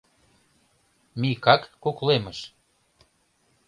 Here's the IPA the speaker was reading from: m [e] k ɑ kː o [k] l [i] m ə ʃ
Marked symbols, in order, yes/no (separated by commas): no, yes, no